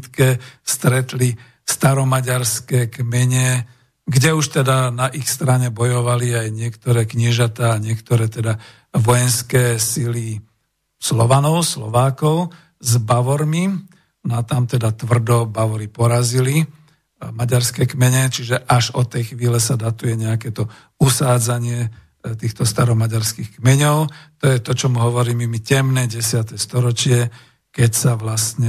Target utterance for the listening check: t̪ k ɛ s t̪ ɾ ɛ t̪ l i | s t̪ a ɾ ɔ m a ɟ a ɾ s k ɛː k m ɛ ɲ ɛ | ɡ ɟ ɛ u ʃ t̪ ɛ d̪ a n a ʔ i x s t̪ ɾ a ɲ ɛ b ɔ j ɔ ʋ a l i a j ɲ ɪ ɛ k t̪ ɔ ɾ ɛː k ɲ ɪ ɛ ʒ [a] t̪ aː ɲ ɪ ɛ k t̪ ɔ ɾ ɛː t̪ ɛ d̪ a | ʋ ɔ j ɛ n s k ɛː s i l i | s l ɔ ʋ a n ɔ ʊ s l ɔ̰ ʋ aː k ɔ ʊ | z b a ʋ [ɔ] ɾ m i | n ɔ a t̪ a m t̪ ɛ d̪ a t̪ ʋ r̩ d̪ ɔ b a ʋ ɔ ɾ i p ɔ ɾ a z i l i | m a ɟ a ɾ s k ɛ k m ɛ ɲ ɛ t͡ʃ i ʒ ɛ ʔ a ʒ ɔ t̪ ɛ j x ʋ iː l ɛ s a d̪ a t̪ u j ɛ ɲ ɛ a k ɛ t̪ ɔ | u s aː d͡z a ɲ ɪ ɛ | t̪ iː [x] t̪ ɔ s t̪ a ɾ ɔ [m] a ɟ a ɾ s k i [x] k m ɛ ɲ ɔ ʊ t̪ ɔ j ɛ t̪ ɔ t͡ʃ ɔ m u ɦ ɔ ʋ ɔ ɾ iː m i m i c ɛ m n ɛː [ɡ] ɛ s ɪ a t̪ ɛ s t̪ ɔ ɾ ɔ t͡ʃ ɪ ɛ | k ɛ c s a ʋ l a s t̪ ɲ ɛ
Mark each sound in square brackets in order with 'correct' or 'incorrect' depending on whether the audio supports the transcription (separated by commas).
correct, correct, correct, correct, correct, incorrect